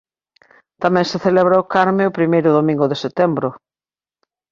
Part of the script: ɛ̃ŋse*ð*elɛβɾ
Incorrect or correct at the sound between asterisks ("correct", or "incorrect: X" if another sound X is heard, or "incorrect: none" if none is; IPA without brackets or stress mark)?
incorrect: θ